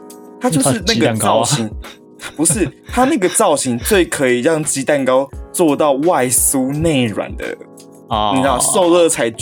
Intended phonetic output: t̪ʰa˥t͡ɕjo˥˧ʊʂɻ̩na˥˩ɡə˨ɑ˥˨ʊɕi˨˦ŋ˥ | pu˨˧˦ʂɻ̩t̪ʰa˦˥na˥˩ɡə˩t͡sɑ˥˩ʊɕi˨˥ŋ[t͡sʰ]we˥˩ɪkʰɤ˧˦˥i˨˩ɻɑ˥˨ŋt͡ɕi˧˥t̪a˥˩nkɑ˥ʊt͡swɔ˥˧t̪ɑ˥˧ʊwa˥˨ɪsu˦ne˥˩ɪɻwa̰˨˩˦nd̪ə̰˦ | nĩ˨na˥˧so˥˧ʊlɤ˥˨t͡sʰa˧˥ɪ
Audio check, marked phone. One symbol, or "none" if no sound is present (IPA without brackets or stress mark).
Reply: t͡s